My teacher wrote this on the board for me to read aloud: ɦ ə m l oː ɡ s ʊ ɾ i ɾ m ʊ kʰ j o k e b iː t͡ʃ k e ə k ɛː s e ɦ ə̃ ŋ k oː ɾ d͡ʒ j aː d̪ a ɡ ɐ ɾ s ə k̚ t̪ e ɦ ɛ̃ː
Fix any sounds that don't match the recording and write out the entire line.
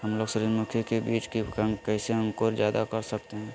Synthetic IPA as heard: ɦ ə m l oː ɡ s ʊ ɾ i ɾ m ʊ kʰ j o k e b iː t͡ʃ k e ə k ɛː s e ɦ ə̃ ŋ k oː ɾ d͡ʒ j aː d̪ a k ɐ ɾ s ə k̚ t̪ e ɦ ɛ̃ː